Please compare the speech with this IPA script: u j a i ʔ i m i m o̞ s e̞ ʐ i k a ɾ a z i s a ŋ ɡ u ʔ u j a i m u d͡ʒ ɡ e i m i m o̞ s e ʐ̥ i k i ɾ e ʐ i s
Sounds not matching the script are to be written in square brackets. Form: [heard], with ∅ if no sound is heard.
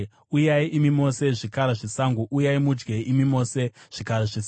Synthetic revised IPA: u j a i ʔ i m i m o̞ s e̞ ʐ i k a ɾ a [ʐ] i s a ŋ ɡ u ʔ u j a i m u d͡ʒ ɡ e i m i m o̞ s e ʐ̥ i k [a] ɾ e ʐ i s